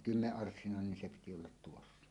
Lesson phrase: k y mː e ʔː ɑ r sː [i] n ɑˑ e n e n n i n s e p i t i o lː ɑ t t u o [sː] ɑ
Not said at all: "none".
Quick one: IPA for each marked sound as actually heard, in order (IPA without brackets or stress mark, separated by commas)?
i, sː